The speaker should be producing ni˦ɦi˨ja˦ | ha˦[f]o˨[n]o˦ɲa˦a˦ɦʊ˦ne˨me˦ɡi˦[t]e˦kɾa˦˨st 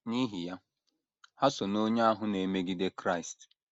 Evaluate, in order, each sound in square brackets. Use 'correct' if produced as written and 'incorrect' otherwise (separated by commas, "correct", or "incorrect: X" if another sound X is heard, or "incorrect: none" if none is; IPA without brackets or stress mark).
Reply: incorrect: s, correct, incorrect: d